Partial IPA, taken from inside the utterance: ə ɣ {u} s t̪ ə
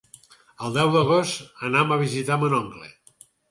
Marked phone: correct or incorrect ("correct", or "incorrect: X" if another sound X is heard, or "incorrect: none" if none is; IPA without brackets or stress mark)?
incorrect: o